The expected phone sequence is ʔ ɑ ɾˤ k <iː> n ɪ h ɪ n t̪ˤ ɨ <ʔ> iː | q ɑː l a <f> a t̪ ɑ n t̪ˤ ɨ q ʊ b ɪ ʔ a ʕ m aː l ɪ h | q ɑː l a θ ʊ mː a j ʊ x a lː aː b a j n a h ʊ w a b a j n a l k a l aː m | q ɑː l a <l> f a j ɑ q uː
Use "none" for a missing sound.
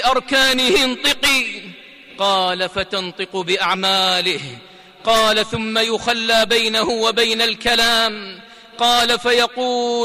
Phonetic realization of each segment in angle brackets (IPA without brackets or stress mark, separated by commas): aː, q, f, none